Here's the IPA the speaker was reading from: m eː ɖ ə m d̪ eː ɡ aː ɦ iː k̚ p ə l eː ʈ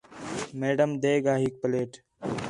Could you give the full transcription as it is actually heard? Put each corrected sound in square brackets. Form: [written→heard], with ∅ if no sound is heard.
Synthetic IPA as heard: m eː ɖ ə m d̪ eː ɡ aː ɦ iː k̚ p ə l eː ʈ

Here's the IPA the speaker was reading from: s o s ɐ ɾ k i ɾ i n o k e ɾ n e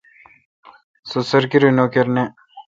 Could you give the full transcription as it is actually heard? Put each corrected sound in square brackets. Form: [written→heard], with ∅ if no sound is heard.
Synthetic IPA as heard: s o s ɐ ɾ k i ɾ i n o k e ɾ n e

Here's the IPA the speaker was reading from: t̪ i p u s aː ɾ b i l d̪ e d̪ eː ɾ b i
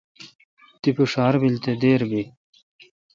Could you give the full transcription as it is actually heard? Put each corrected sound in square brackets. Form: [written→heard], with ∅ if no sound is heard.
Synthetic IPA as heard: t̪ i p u [s→ʂ] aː ɾ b i l [d̪→t̪] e d̪ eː ɾ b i

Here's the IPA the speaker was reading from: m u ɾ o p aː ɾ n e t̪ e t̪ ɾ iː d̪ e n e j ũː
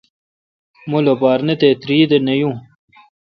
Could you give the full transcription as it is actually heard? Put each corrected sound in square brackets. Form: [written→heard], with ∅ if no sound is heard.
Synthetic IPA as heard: m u [ɾ→l] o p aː ɾ n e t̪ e t̪ ɾ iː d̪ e n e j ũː

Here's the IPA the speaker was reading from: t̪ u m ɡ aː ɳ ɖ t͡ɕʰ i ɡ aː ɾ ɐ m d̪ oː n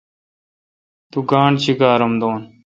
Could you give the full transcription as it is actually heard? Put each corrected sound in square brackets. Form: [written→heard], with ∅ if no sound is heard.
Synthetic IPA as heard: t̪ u [m→∅] ɡ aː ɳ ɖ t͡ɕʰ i ɡ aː ɾ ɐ m d̪ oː n

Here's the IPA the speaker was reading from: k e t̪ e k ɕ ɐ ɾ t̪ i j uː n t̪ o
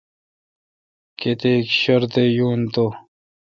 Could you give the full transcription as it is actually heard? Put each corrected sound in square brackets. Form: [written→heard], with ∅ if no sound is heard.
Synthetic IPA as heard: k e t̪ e k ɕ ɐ ɾ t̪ [i→e] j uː n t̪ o

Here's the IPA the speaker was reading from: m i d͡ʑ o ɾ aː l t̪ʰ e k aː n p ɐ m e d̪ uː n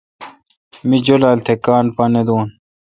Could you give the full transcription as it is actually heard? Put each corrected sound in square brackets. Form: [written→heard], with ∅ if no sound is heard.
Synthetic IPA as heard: m i d͡ʑ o [ɾ→l] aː l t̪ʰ e k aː n p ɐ [m→n] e d̪ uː n

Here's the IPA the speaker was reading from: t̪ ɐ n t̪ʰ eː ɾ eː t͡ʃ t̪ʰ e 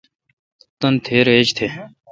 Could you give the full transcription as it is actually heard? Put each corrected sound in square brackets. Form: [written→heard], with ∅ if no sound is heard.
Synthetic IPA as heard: t̪ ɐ n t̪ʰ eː ɾ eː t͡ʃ t̪ʰ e

